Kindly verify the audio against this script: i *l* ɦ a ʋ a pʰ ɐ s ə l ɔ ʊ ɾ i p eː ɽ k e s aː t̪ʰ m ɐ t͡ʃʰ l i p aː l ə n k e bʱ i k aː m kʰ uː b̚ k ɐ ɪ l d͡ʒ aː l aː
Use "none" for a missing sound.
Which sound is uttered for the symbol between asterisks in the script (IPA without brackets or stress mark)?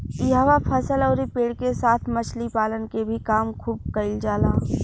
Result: none